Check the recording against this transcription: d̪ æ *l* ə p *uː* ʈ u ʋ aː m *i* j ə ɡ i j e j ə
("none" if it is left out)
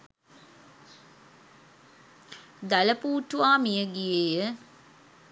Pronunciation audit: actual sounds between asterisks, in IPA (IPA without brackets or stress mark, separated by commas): l, uː, i